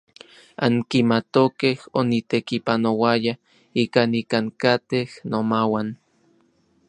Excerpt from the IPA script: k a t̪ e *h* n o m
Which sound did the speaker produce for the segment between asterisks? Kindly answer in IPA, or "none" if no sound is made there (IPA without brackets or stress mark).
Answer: h